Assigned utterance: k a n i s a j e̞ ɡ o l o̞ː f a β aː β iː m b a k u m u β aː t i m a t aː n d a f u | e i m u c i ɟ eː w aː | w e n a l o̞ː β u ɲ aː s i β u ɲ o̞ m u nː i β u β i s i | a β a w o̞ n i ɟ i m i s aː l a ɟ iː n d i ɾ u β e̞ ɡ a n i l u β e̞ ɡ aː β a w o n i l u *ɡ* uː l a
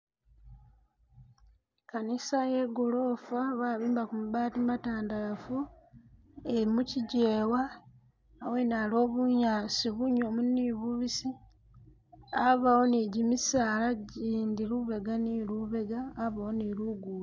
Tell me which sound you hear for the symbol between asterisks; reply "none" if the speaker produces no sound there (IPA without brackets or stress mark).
ɡ